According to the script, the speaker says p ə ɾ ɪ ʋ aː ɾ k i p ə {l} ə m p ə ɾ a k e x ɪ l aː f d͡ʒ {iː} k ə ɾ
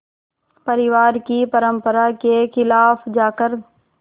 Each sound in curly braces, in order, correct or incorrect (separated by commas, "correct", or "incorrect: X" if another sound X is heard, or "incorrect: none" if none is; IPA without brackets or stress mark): incorrect: ɾ, incorrect: aː